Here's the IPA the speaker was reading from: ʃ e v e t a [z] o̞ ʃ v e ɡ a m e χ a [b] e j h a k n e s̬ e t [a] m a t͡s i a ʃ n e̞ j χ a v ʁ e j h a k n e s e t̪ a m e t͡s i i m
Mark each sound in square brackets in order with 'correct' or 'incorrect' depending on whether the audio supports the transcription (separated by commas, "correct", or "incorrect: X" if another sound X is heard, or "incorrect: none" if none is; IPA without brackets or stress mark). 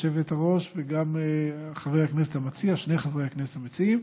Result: incorrect: ʁ, incorrect: v, correct